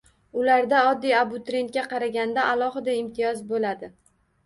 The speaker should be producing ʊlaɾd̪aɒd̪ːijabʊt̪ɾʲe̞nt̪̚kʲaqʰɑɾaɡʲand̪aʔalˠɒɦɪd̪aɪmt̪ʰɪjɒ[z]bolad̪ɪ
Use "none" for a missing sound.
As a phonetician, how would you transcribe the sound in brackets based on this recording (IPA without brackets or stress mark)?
z